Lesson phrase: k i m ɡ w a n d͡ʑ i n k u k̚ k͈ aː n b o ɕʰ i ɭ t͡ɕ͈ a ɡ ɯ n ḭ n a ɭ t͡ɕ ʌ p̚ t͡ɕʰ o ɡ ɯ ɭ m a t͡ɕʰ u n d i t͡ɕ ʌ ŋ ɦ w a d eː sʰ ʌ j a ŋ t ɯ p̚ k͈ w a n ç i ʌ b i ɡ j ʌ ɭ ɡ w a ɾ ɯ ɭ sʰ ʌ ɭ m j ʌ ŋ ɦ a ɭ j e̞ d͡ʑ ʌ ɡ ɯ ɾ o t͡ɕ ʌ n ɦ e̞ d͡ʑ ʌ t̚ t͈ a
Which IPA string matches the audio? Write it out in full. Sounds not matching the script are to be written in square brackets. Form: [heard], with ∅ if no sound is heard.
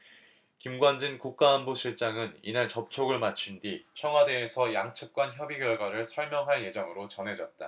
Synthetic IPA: k i m ɡ w a n d͡ʑ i n k u k̚ k͈ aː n b o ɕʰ i ɭ t͡ɕ͈ a [ŋ] ɯ n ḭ n a ɭ t͡ɕ ʌ p̚ t͡ɕʰ o ɡ ɯ ɭ m a t͡ɕʰ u n d i [t͡ɕʰ] ʌ ŋ ɦ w a d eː sʰ ʌ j a ŋ [t͡ɕʰ] ɯ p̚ k͈ w a n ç [j] ʌ b i ɡ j ʌ ɭ ɡ w a ɾ ɯ ɭ sʰ ʌ ɭ m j ʌ ŋ ɦ a ɭ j e̞ d͡ʑ ʌ [ŋ] ɯ ɾ o t͡ɕ ʌ n ɦ e̞ d͡ʑ ʌ t̚ t͈ a